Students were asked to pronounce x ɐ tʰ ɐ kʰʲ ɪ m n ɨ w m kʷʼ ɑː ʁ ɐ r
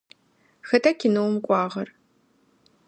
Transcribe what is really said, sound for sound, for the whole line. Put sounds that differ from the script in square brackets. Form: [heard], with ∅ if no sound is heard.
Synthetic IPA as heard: x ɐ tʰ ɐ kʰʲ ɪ [∅] n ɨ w m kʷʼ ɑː ʁ ɐ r